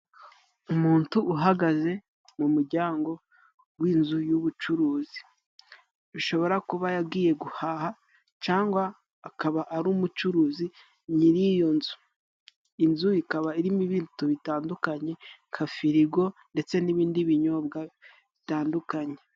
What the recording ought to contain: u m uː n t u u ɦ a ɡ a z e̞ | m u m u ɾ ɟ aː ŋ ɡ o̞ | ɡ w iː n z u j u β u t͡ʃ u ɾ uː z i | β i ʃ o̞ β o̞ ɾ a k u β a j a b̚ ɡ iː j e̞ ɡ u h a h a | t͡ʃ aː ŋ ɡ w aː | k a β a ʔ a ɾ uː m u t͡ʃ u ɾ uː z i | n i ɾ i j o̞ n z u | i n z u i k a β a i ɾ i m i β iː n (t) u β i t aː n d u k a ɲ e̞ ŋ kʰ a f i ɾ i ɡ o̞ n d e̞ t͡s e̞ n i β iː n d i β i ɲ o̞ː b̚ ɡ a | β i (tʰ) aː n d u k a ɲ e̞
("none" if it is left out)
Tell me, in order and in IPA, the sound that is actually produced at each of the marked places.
t, t

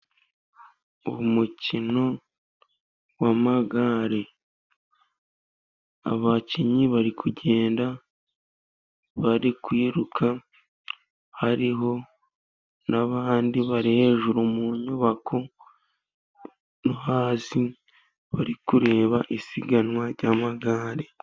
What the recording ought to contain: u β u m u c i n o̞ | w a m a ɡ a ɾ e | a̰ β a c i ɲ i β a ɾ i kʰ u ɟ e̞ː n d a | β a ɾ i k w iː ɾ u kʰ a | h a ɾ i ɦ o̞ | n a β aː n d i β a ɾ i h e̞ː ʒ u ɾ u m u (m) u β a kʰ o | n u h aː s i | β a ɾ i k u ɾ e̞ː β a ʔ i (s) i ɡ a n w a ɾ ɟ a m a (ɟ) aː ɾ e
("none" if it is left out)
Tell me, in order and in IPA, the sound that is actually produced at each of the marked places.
ɲ, s, ɡ

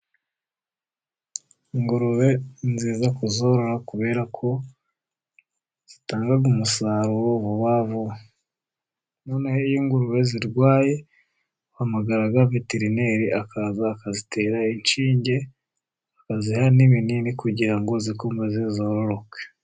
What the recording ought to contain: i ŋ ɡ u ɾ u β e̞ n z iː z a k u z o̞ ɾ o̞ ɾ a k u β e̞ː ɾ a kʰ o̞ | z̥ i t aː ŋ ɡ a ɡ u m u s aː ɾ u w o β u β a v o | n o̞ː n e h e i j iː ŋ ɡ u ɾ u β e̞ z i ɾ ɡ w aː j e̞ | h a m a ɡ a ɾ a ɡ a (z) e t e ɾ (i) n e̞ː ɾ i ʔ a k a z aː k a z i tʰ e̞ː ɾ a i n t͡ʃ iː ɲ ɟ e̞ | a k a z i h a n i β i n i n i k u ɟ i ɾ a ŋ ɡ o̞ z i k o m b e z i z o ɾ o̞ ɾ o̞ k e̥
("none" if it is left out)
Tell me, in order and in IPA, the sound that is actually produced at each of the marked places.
v, i

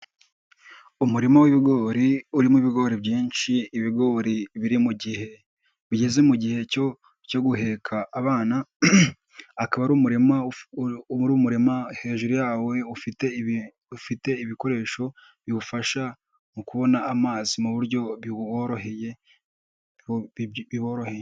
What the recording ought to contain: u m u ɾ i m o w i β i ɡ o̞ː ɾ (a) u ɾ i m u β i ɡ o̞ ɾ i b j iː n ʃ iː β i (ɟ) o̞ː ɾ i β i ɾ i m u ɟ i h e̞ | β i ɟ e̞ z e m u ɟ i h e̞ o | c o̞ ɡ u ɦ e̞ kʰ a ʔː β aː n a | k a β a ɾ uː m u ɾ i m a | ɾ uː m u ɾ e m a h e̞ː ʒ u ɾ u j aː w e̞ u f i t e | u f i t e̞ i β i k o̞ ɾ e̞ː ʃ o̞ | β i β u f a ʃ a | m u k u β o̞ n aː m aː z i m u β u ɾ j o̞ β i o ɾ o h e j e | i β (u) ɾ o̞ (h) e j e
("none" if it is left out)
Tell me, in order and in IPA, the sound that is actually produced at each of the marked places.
i, ɡ, o, h

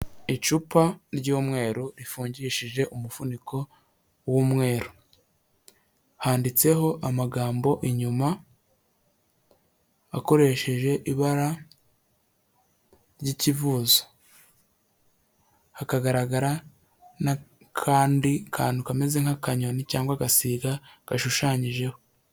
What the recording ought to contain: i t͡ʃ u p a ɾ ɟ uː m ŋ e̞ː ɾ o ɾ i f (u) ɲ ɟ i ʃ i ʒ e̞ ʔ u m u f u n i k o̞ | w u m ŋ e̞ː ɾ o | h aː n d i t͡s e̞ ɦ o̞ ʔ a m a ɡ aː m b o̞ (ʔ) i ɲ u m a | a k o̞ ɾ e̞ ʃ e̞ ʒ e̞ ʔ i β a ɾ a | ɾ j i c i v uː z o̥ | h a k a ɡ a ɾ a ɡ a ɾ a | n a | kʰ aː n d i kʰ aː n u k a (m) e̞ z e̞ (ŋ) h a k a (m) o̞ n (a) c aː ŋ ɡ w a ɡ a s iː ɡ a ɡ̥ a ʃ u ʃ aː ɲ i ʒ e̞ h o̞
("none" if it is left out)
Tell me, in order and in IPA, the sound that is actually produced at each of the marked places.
uː, ʔ, m, ŋ, ɲ, i

